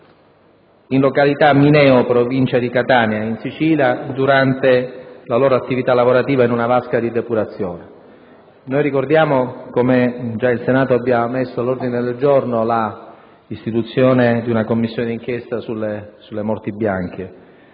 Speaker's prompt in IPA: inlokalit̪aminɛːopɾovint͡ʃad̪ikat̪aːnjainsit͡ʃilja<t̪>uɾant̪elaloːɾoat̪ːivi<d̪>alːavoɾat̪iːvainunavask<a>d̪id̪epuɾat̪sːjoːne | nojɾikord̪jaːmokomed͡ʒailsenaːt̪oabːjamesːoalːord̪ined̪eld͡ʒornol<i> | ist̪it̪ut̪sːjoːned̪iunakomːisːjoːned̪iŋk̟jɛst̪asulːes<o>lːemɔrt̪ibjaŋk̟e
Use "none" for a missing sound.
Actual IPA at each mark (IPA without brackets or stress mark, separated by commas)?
d̪, t̪, a, a, u